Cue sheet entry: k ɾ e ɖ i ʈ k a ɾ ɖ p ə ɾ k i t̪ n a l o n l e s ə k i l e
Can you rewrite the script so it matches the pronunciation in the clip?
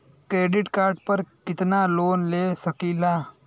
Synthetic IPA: k ɾ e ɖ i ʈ k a ɾ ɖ p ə ɾ k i t̪ n a l o n l e s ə k i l a